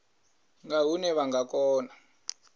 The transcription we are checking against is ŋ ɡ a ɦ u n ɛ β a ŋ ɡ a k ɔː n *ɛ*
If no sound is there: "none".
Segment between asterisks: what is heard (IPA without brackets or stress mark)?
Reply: a